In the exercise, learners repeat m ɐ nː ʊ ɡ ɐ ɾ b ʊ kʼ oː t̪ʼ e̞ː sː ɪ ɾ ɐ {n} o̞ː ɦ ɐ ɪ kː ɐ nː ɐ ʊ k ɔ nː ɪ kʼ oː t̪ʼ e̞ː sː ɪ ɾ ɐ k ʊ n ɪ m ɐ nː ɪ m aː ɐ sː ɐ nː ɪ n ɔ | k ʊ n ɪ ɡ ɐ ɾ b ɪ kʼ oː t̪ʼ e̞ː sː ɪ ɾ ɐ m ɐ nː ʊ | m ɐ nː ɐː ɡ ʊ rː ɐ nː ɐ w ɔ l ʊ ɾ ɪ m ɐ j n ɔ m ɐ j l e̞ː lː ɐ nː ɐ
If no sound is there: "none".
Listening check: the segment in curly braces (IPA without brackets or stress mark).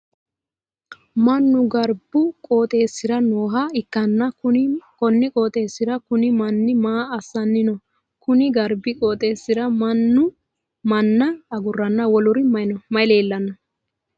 n